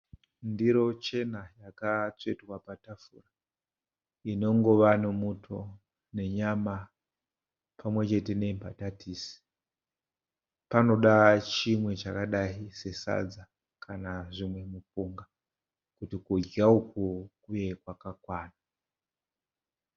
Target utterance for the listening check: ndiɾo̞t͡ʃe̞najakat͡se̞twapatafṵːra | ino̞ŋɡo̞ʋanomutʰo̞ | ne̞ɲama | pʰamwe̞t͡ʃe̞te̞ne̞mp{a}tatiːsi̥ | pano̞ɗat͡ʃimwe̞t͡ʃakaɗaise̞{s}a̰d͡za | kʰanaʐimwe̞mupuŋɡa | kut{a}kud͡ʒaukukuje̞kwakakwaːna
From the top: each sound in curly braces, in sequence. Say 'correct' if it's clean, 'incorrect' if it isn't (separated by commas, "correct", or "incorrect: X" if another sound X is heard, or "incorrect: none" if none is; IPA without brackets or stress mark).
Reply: correct, correct, incorrect: i